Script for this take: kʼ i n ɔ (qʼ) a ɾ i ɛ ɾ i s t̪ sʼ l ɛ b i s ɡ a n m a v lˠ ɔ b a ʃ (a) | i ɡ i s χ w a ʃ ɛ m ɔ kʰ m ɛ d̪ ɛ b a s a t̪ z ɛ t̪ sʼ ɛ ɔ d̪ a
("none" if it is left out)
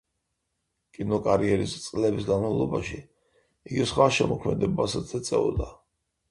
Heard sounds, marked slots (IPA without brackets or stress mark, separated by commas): kʼ, i